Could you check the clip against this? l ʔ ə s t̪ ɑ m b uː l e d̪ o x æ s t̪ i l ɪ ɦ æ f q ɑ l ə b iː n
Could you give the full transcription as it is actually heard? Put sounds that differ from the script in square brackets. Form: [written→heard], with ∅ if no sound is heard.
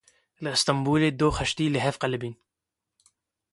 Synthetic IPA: l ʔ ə s t̪ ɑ m b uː l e d̪ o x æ [s→ʃ] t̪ i l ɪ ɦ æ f q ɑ l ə b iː n